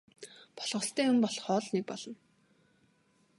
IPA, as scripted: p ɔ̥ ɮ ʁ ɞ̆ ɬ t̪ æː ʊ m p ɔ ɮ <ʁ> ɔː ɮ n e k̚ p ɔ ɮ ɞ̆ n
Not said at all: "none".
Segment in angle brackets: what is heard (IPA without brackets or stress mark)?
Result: χ